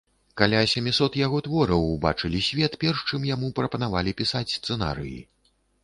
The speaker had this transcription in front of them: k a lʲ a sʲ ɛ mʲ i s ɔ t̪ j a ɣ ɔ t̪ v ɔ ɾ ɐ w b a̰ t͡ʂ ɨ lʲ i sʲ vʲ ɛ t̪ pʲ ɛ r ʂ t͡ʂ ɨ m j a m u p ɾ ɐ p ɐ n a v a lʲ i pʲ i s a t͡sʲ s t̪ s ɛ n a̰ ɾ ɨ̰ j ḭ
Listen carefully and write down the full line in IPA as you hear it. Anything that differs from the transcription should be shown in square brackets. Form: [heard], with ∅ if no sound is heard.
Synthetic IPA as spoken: k a lʲ a sʲ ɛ mʲ i s ɔ t̪ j a ɣ ɔ t̪ v ɔ ɾ ɐ w b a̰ t͡ʂ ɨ lʲ i sʲ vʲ ɛ t̪ pʲ ɛ r ʂ t͡ʂ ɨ m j a m u p ɾ ɐ p ɐ n a v a lʲ i pʲ i s a t͡sʲ s t̪ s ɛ n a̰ ɾ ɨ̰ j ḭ